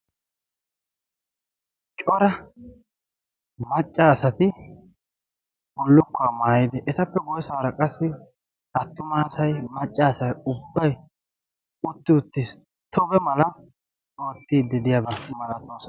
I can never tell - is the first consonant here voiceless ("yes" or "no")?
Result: yes